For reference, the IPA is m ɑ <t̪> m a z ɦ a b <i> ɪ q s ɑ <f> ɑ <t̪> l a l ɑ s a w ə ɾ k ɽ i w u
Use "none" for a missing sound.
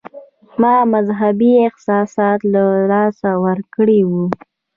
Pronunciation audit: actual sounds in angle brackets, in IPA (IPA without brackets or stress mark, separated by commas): none, i, s, t̪